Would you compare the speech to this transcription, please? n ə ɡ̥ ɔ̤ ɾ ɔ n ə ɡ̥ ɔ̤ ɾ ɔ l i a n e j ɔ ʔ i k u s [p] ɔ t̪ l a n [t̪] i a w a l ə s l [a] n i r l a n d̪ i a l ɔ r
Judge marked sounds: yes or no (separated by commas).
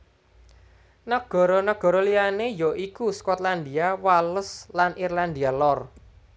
no, no, yes